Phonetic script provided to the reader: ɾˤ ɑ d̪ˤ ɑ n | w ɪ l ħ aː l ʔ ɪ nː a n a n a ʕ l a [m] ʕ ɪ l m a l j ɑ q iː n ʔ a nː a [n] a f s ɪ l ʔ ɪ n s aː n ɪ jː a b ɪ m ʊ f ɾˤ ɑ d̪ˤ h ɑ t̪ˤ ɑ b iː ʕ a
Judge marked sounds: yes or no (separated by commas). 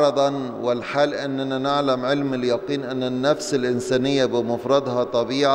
yes, no